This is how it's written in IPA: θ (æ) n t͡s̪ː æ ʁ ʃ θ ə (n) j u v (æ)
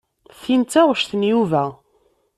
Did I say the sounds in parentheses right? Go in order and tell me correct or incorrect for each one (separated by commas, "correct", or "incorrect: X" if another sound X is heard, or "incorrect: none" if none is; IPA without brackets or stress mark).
incorrect: i, correct, correct